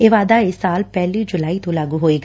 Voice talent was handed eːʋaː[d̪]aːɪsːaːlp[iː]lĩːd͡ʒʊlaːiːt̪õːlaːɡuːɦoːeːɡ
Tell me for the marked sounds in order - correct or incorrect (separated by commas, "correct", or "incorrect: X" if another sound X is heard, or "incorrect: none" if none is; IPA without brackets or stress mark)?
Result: correct, incorrect: ɛː